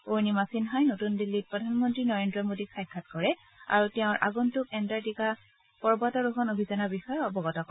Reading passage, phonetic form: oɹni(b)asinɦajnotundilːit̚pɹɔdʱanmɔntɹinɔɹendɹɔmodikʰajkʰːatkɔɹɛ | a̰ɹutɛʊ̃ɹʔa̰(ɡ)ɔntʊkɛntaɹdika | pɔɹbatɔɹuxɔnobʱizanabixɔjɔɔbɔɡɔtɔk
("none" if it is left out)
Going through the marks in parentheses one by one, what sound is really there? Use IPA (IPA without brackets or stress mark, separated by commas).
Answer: m, ɡ